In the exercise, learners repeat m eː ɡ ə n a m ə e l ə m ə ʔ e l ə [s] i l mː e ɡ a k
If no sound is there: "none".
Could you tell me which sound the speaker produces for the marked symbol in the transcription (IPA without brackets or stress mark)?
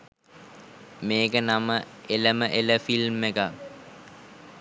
f